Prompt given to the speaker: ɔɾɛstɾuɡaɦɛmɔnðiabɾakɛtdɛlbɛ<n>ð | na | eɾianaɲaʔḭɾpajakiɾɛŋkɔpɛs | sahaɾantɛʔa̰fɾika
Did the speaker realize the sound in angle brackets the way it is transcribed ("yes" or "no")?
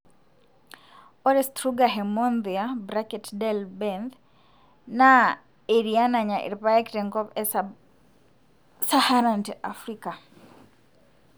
yes